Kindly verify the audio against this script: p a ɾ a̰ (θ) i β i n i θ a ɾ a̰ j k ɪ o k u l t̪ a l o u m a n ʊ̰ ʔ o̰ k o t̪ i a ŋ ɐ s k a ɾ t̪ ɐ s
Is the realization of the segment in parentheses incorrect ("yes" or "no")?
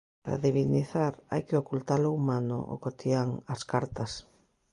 yes